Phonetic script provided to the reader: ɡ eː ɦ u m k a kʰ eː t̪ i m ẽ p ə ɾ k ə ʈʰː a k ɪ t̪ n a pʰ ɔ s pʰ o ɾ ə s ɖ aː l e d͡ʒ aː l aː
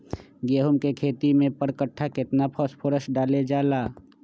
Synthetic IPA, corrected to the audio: ɡ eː ɦ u m k e kʰ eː t̪ i m ẽ p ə ɾ k ə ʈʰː a k ɪ t̪ n a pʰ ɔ s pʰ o ɾ ə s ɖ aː l e d͡ʒ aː l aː